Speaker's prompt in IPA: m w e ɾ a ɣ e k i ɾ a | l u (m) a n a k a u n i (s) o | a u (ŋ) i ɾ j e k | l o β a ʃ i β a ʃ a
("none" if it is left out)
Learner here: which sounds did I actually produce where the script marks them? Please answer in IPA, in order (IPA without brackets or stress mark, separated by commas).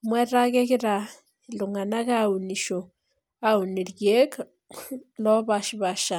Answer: ŋ, ʃ, n